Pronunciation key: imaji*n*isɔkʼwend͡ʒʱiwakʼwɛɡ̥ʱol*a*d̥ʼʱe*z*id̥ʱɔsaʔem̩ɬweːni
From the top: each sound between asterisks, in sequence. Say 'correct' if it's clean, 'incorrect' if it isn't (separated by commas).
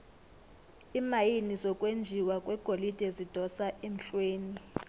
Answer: correct, incorrect, correct